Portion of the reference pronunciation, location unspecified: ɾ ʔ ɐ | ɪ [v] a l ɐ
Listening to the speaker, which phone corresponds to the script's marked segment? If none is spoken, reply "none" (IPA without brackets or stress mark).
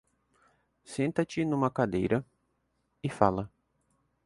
f